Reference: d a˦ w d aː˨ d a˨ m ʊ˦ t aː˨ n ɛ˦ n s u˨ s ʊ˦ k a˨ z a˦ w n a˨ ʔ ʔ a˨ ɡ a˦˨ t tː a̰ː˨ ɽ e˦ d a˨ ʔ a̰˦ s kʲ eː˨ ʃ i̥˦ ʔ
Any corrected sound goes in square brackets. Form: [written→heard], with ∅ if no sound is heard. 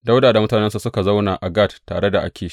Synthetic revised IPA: d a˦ w d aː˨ d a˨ m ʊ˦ t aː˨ n ɛ˦ n s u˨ s ʊ˦ k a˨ z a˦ w n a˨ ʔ ʔ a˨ ɡ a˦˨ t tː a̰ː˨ ɽ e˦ d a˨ ʔ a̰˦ [s→∅] kʲ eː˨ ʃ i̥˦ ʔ